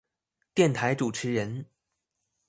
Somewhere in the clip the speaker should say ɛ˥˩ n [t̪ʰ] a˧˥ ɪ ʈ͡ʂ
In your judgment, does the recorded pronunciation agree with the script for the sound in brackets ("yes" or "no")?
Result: yes